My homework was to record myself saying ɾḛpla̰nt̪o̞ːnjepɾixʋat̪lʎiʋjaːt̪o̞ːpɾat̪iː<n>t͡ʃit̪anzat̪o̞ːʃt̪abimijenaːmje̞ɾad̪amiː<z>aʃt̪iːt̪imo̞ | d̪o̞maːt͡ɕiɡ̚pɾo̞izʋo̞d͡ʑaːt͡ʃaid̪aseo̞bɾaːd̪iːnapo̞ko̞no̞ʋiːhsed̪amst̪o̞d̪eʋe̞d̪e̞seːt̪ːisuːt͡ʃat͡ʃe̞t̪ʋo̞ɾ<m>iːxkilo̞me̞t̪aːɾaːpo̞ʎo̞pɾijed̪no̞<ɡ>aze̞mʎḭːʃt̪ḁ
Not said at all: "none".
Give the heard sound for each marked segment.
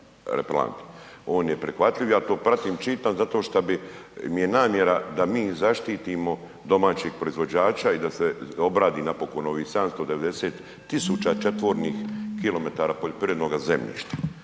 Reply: m, z, n, ɡ

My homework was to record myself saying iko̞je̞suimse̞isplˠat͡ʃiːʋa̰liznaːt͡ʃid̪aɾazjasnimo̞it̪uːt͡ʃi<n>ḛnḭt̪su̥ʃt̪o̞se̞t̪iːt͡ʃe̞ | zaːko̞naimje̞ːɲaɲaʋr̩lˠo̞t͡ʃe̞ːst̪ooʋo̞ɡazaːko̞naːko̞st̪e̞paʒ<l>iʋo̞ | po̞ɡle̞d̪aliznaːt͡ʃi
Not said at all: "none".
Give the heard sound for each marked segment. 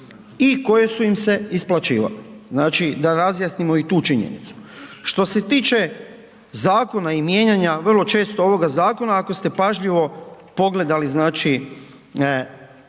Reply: ɲ, ʎ

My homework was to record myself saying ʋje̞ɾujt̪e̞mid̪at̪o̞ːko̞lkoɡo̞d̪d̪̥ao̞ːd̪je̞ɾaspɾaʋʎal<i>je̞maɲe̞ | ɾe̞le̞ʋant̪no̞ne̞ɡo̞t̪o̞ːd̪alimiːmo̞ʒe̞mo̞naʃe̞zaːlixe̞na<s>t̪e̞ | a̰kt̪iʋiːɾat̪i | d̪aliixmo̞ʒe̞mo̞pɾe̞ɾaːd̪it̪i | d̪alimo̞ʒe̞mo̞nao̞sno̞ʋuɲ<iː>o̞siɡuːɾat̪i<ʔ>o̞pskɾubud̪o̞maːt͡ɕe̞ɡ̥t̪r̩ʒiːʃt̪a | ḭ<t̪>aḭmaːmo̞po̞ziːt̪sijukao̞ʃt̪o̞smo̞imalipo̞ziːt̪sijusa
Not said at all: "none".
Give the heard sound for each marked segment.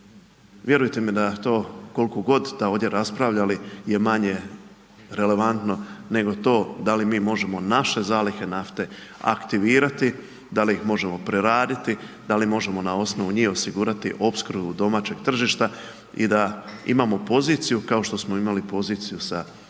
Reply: i, f, iː, ʔ, d̪

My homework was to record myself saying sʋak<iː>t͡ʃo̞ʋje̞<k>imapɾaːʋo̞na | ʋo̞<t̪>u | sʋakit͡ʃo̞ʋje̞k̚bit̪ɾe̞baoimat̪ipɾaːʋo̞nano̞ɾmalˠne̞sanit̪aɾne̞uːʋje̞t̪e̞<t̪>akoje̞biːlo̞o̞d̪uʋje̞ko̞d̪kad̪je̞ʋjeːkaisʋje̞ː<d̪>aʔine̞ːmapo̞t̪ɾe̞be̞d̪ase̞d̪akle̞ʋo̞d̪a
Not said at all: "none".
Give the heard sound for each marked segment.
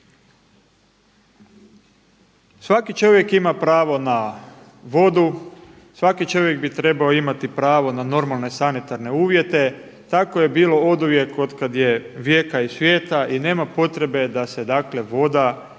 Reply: i, k, d̪, t̪, t̪

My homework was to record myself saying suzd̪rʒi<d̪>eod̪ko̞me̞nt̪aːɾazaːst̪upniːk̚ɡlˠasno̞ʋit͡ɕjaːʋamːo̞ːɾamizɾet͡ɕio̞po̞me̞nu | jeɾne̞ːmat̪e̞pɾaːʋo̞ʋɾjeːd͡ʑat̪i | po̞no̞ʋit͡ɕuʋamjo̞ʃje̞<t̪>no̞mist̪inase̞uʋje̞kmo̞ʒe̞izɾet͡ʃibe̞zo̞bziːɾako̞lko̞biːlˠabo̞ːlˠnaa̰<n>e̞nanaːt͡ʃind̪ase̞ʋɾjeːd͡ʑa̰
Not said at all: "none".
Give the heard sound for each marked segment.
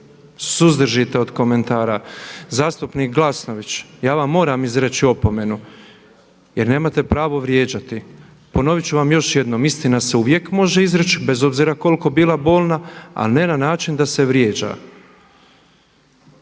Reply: t̪, d̪, n

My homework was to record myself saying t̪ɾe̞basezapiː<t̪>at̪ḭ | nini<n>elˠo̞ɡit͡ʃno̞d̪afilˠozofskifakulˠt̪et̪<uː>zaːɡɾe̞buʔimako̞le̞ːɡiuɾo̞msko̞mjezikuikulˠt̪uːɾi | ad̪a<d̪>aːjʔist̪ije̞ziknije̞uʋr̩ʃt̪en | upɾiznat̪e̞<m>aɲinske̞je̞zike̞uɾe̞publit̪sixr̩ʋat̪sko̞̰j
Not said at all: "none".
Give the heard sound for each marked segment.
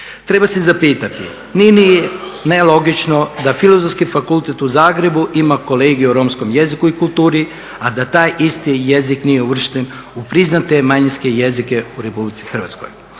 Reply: t̪, n, u, t̪, m

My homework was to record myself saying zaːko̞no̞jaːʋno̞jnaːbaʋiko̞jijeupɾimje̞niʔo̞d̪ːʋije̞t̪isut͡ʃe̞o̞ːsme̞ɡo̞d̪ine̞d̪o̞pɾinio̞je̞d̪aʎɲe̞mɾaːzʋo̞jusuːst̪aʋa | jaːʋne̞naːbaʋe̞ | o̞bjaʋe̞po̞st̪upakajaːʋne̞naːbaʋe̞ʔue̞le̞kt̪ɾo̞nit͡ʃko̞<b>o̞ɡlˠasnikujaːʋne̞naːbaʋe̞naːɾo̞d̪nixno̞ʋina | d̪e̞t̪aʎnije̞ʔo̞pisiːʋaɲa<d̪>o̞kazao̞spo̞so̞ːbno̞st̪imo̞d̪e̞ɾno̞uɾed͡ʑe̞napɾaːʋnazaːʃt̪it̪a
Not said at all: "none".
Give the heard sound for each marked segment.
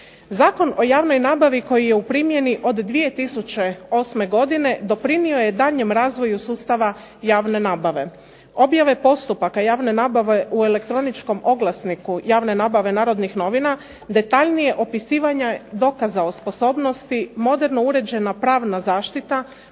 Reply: m, d̪

